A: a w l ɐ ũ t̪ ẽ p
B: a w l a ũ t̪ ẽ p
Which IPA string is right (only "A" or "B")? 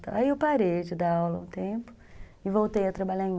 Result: A